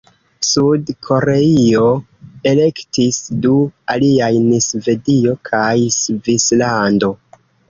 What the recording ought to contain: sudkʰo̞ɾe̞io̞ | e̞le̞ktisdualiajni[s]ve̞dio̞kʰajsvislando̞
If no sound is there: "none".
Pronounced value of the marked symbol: s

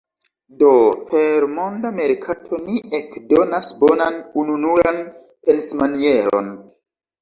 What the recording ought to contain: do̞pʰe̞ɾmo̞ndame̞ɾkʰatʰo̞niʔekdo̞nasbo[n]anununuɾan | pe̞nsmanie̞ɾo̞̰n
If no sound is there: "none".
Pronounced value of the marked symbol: n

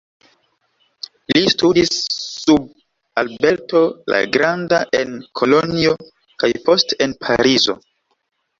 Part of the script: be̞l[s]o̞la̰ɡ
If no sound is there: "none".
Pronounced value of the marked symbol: t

